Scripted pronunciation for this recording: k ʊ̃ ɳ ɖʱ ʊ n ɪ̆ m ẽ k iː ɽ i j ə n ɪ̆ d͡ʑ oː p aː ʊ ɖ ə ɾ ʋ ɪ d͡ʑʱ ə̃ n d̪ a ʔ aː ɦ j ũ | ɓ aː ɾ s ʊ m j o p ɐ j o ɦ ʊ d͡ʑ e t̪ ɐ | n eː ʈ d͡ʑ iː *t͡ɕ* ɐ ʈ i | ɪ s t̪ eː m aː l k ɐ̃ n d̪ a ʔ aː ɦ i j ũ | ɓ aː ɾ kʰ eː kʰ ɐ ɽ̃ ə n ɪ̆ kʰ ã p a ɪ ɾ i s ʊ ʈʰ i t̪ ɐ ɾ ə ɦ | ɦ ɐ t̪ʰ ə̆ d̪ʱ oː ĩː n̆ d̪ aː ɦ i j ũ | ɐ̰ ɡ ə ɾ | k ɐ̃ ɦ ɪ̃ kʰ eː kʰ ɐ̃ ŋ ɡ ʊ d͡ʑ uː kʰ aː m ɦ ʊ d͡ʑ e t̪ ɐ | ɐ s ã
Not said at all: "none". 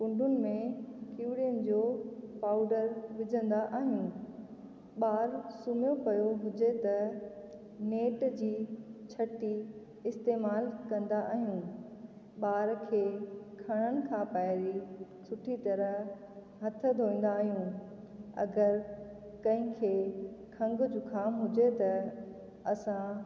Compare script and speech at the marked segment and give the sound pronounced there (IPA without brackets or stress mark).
t͡ɕʰ